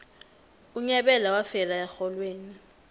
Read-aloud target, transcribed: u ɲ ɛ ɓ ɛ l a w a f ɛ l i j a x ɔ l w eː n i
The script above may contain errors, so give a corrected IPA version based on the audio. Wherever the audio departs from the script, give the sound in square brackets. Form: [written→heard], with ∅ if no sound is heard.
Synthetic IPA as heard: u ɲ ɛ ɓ ɛ l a w a f ɛ l [i→a] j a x ɔ l w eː n i